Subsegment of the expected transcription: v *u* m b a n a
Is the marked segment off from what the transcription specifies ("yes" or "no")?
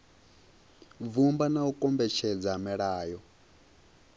no